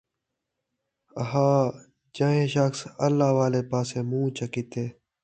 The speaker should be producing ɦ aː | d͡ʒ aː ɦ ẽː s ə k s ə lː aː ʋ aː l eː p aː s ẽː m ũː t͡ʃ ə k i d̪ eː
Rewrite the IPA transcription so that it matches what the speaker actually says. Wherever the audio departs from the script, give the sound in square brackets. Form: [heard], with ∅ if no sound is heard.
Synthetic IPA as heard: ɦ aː | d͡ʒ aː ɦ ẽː [ʃ] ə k s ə lː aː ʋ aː l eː p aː s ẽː m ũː t͡ʃ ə k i [t̪] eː